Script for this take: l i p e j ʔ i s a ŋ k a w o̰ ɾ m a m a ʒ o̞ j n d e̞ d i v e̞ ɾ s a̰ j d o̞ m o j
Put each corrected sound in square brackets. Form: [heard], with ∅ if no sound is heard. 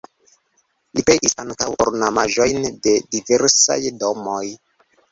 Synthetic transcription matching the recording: l i p e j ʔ i s a ŋ k a w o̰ ɾ [n] a m a ʒ o̞ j n d e̞ d i v e̞ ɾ s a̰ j d o̞ m o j